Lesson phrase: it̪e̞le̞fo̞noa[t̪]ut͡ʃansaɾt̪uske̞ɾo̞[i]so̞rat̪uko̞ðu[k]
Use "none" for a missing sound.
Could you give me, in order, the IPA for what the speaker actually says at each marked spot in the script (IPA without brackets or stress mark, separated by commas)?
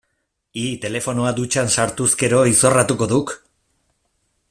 d̪, i, k